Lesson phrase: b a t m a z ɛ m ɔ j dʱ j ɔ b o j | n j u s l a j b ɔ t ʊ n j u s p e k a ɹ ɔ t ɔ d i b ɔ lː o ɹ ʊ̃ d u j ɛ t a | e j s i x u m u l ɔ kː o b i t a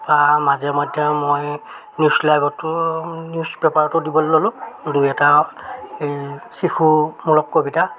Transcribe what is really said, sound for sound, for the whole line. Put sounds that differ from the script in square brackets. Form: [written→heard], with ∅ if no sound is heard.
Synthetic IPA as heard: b a [t→∅] m a z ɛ m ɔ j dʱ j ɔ [b→m] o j | n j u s l a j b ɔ t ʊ n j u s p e [k→p] a ɹ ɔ t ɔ d i b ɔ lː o [ɹ→l] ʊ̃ d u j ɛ t a | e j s i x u m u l ɔ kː o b i t a